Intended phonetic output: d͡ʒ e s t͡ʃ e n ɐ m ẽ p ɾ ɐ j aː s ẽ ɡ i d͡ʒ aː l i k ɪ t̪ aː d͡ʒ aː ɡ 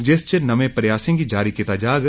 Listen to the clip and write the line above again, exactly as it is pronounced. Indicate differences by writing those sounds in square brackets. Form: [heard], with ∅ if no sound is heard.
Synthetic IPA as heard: d͡ʒ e s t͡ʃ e n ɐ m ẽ p ɾ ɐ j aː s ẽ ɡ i d͡ʒ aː [ɾ] i k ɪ t̪ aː d͡ʒ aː ɡ